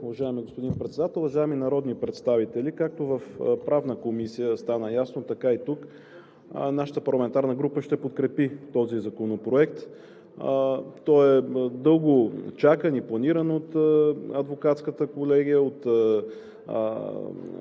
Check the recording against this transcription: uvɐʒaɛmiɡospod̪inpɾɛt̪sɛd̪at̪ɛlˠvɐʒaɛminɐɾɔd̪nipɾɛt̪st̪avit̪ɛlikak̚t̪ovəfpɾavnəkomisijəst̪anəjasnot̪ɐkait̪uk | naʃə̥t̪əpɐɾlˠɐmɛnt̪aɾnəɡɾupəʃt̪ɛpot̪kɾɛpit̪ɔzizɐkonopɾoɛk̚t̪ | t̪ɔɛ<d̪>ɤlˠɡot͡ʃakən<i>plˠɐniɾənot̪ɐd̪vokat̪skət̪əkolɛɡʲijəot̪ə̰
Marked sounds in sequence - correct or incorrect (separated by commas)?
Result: correct, correct